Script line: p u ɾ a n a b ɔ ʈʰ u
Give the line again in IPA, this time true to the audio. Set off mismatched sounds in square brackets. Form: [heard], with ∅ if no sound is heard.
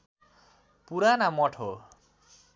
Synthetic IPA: p u ɾ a n a [m] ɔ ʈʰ [o]